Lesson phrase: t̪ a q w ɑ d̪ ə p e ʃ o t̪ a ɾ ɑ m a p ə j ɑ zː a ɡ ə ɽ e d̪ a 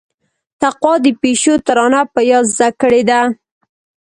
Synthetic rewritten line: t̪ a q w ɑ d̪ ə p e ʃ o t̪ a ɾ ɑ n a p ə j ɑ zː a k ə ɽ e d̪ a